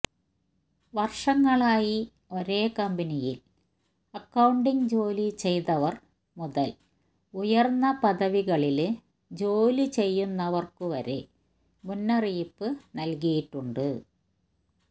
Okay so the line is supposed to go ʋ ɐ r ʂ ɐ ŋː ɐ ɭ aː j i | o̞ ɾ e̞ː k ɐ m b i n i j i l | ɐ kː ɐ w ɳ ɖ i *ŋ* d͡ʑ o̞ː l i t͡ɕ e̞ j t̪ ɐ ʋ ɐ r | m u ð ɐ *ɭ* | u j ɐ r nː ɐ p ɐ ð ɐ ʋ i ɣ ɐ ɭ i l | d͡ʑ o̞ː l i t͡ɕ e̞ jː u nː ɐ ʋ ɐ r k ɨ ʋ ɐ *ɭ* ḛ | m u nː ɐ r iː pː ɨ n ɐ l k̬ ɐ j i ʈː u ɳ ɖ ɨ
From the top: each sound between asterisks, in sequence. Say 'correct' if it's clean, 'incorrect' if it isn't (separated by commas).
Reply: correct, incorrect, incorrect